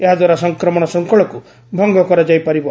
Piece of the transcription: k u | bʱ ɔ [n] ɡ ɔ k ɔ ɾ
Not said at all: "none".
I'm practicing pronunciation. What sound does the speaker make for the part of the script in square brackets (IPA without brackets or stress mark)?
ŋ